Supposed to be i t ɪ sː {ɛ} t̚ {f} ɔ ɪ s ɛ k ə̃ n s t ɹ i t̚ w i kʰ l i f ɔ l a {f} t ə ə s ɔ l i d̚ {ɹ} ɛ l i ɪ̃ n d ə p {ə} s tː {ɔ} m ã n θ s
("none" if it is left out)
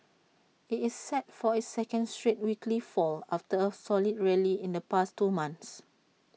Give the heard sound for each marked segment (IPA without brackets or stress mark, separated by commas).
ɛ, f, f, ɹ, a, u